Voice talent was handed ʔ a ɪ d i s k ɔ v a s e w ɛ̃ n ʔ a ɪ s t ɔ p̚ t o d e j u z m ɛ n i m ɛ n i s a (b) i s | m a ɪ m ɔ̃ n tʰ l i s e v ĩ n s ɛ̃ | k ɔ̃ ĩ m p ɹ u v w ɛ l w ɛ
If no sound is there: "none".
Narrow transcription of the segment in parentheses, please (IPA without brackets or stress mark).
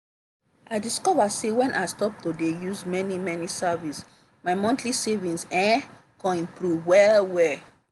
v